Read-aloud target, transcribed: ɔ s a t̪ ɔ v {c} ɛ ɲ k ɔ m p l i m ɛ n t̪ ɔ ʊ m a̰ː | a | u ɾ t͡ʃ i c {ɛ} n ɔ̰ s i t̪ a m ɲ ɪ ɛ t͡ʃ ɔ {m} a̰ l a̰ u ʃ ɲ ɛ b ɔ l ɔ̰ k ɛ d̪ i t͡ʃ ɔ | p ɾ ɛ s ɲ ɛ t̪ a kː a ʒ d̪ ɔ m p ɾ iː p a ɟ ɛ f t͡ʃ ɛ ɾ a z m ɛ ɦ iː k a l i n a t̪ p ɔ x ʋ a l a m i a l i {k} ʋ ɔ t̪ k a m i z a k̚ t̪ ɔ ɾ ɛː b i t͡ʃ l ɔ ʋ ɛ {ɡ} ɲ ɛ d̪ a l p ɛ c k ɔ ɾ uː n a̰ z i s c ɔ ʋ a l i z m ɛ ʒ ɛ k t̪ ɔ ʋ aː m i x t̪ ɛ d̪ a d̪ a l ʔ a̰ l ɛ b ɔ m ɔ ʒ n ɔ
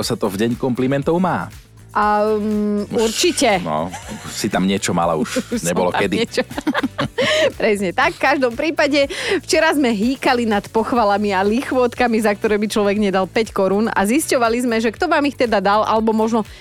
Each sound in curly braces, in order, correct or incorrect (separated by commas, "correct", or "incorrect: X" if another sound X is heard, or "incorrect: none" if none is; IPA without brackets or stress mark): incorrect: ɟ, correct, correct, incorrect: x, correct